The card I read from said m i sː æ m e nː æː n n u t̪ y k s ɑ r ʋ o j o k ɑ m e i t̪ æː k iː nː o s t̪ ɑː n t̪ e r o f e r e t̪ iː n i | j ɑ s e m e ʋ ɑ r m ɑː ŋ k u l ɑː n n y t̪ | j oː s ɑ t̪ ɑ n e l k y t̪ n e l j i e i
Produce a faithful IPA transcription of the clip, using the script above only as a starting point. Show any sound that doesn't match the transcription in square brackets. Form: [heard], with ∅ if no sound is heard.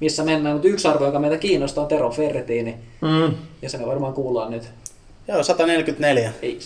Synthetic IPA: m i sː æ m e nː æː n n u t̪ y k s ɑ r ʋ o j o k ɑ m e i t̪ [æ] k iː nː o s t̪ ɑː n t̪ e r o f e r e t̪ iː n i | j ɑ s e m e ʋ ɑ r m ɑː ŋ k [uː] l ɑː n n y t̪ | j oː s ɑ t̪ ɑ n e l k y t̪ n e l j [æ] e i